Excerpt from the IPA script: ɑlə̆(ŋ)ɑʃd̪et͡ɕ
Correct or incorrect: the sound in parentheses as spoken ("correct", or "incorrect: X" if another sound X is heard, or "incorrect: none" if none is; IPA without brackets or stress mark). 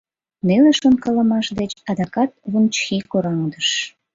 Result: incorrect: m